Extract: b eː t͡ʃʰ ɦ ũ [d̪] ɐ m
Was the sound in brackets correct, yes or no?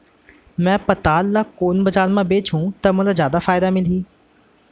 no